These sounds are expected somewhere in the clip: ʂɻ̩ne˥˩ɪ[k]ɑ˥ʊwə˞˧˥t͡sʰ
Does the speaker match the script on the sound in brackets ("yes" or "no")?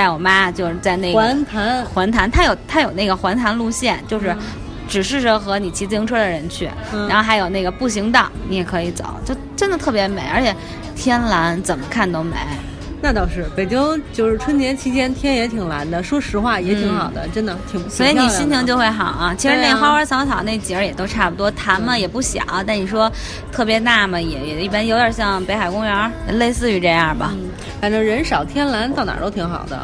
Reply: no